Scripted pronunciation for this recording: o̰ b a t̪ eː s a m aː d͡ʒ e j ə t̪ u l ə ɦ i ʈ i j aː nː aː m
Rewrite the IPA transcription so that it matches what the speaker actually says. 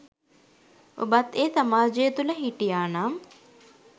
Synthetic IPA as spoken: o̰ b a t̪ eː s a m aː d͡ʒ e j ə t̪ u l ə ɦ i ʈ i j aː n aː m

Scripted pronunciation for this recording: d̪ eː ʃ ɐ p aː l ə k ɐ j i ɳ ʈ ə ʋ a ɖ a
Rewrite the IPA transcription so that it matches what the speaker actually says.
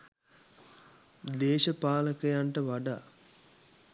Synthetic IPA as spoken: d̪ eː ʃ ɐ p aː l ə k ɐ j a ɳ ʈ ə ʋ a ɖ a

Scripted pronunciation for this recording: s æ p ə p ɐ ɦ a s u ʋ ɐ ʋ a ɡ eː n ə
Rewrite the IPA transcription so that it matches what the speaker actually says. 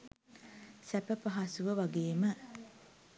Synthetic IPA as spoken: s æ p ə p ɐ ɦ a s u ʋ ə ʋ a ɡ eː m ə

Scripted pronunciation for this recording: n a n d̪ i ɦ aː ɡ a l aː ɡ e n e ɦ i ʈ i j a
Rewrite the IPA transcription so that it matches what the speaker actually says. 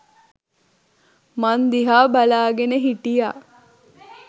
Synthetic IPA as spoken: m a n d̪ i ɦ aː b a l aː ɡ e n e ɦ i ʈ i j a

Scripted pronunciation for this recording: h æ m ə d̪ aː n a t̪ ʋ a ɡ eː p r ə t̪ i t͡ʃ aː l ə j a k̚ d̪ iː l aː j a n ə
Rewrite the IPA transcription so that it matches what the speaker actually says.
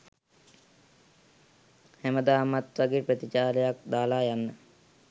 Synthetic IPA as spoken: h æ m ə d̪ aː m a t̪ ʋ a ɡ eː p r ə t̪ i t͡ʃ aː l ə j a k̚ d̪ aː l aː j a nː ə

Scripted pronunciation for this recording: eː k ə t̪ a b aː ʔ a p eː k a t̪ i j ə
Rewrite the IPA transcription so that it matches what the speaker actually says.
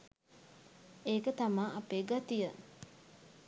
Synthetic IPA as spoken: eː k ə t̪ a m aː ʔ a p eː ɡ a t̪ i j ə

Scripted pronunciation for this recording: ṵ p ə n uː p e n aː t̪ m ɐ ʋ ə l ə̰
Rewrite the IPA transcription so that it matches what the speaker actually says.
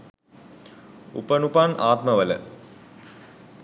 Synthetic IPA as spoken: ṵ p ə n u p a n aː t̪ m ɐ ʋ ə l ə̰

